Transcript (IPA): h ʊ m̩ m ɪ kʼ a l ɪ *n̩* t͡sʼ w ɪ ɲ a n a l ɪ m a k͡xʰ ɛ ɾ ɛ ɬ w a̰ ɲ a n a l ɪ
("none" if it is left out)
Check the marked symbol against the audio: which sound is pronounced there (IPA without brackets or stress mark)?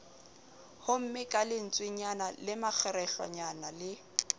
n̩